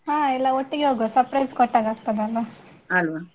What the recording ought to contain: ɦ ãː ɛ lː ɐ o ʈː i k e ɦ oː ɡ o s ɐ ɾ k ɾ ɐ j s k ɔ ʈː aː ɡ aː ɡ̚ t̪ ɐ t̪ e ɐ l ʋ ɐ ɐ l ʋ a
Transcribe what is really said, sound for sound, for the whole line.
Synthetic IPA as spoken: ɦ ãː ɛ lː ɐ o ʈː i ɡ e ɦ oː ɡ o s ɐ ɾ p ɾ ɐ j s k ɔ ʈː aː ɡ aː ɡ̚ t̪ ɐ d̪ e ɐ l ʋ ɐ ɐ l ʋ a